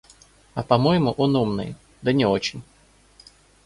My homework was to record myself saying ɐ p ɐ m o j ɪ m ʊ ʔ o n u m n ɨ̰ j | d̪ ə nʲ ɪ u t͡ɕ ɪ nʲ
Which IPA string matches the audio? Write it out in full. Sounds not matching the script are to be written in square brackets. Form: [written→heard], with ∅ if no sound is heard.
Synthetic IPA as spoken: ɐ p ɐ m o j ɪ m ʊ ʔ o n u m n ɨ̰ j | d̪ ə nʲ ɪ [u→o] t͡ɕ ɪ nʲ